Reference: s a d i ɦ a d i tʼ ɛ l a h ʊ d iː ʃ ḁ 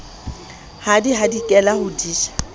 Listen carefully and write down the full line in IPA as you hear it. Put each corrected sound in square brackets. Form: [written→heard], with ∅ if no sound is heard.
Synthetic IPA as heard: [s→h] a d i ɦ a d i [tʼ→kʼ] ɛ l a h ʊ d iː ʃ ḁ